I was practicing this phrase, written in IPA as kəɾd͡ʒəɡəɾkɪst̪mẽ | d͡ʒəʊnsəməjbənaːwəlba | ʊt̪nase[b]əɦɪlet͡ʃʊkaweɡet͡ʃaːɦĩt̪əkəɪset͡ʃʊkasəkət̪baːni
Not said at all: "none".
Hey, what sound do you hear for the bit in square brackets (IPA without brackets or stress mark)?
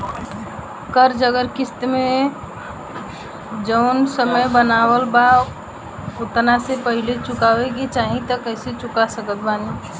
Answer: p